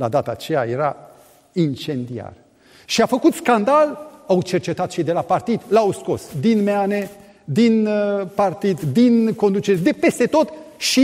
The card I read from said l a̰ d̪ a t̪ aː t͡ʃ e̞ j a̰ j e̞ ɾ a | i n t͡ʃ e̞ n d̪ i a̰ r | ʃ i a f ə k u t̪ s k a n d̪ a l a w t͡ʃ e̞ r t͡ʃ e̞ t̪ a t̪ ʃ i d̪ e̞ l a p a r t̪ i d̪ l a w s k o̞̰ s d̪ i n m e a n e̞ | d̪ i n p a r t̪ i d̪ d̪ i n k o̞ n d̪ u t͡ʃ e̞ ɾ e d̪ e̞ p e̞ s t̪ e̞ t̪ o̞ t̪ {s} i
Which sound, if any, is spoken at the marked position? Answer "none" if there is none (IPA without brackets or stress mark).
ʃ